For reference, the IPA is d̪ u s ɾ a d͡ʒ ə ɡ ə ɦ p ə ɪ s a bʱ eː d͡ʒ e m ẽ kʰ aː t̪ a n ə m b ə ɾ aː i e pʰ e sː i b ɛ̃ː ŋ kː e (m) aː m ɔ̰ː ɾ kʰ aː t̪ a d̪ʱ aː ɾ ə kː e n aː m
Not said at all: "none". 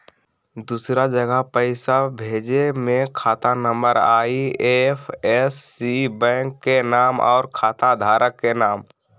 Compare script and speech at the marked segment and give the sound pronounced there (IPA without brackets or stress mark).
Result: n